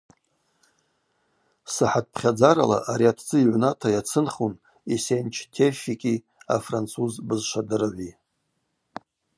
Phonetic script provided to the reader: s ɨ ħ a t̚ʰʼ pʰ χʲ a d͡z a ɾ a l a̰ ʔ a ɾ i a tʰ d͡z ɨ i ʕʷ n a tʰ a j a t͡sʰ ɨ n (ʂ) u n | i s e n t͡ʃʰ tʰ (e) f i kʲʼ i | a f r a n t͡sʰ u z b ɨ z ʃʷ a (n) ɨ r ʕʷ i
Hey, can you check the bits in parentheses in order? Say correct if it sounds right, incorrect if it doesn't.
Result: incorrect: χ, correct, incorrect: d

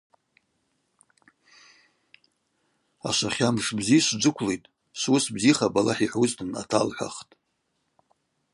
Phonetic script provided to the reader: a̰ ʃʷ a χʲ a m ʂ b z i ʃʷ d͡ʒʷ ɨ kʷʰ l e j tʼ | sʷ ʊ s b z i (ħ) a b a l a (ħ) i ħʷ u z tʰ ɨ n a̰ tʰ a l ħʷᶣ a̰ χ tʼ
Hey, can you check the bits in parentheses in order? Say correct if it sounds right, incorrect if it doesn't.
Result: incorrect: χ, correct

